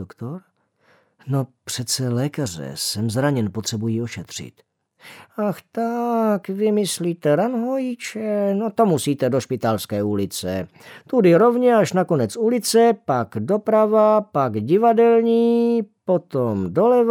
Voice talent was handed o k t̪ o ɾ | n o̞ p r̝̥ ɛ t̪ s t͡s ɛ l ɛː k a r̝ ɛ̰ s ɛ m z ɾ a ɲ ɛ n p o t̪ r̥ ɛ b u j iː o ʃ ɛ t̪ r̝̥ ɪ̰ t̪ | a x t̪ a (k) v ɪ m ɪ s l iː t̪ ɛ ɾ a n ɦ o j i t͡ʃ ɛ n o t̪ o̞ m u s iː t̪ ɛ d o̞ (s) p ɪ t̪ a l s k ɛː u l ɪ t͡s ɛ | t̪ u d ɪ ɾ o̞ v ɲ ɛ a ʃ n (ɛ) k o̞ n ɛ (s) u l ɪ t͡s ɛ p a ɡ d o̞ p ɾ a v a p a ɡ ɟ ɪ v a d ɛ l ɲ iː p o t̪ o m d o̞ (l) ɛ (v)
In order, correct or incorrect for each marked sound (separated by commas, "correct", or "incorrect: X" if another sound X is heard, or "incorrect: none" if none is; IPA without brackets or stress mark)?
correct, incorrect: ʃ, incorrect: a, incorrect: t͡s, correct, correct